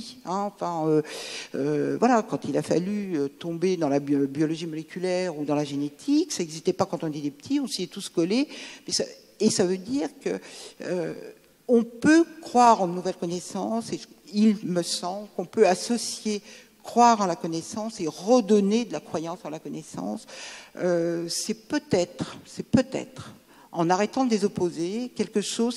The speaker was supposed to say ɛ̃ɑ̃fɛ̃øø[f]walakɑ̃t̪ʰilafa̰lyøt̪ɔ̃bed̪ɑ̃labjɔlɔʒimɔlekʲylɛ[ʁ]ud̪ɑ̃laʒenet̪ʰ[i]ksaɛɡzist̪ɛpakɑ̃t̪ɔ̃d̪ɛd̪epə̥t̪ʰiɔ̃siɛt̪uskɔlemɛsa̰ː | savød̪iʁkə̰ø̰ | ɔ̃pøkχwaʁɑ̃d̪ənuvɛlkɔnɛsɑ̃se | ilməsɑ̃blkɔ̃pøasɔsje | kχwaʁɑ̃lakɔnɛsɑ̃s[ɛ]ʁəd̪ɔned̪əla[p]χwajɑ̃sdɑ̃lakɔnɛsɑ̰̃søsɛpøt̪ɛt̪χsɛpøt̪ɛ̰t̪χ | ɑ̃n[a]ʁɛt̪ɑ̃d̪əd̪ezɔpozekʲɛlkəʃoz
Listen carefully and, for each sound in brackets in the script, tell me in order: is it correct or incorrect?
incorrect: v, correct, correct, incorrect: e, incorrect: k, correct

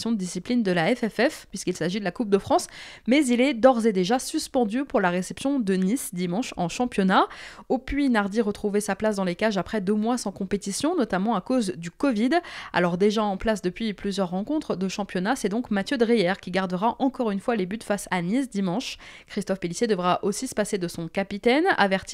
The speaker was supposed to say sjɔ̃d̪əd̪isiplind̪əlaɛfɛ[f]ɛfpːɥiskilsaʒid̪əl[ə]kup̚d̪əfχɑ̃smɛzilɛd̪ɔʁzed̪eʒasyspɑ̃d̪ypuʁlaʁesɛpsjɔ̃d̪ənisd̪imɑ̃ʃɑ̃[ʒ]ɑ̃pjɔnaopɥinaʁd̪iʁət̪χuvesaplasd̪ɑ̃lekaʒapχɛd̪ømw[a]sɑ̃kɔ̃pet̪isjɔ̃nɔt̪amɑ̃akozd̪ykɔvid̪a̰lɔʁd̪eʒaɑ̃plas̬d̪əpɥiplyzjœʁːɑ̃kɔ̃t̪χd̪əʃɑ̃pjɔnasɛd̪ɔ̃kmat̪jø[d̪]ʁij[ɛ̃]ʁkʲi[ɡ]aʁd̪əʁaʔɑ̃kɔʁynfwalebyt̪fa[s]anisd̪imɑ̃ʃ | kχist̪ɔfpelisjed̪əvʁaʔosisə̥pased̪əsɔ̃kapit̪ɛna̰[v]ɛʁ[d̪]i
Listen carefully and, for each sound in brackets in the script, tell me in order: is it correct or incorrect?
correct, incorrect: a, incorrect: ʃ, correct, correct, incorrect: ɛ, correct, correct, correct, incorrect: t̪

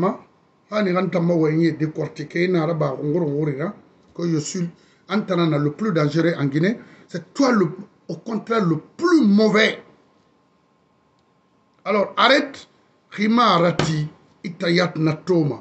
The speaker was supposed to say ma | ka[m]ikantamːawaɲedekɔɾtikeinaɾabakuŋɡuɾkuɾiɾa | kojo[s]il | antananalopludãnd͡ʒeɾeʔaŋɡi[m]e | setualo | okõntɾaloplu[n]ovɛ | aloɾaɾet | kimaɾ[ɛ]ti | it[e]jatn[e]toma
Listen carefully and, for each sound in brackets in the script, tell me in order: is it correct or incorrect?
incorrect: n, correct, incorrect: n, incorrect: m, incorrect: a, incorrect: a, incorrect: a

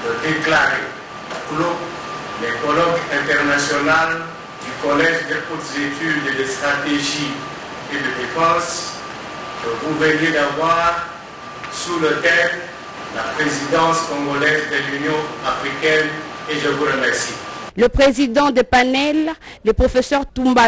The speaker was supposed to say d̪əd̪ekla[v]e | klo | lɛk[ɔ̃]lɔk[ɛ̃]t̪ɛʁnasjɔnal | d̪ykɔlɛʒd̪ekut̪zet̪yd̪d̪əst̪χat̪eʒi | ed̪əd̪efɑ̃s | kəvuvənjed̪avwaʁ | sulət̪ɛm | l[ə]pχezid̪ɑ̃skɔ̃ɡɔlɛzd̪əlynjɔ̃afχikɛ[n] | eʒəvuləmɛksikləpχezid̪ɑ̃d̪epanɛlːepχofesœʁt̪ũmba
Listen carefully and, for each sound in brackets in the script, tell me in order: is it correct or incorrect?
incorrect: ʁ, incorrect: ɔ, correct, incorrect: a, correct

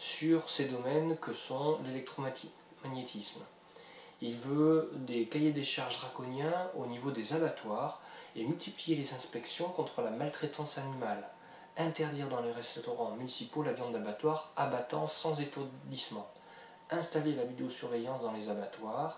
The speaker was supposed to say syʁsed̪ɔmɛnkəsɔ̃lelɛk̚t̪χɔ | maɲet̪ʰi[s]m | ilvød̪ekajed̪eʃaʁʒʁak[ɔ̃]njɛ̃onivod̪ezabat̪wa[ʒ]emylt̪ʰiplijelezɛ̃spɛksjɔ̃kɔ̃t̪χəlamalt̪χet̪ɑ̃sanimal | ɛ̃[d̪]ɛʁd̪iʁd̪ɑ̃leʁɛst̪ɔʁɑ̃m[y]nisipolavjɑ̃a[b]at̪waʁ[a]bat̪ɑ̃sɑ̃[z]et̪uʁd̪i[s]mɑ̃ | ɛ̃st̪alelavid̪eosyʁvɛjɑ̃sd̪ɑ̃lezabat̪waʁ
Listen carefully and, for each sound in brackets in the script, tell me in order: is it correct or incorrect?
correct, incorrect: ɔ, incorrect: ʁ, incorrect: t̪, correct, correct, correct, correct, correct

